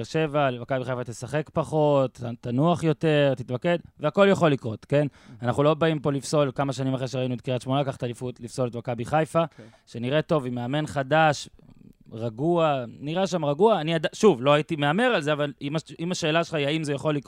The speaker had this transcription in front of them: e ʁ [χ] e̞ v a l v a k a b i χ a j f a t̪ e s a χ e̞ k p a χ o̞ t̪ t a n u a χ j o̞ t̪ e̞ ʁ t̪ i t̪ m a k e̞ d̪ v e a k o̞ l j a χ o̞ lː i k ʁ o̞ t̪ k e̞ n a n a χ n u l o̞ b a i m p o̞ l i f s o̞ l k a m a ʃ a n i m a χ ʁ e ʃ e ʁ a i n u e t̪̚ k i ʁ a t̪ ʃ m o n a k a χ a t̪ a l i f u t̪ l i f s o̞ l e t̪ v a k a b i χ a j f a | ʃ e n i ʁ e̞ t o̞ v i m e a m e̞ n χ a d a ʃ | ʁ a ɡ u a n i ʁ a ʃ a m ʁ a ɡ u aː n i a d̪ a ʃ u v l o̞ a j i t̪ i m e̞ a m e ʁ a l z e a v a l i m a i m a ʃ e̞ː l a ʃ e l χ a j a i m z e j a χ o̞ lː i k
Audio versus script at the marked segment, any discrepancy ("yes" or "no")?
yes